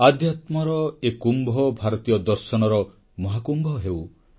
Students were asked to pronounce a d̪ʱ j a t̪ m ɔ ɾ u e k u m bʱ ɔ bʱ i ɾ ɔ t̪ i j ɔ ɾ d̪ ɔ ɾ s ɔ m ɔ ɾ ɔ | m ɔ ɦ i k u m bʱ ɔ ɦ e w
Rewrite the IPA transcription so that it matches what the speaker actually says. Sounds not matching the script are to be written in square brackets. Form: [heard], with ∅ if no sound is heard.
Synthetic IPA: a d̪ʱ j a t̪ m ɔ ɾ [ɔ] e k u m bʱ ɔ bʱ [a] ɾ ɔ t̪ i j ɔ [∅] d̪ ɔ ɾ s ɔ [n] ɔ ɾ ɔ | m ɔ ɦ [a] k u m bʱ ɔ ɦ e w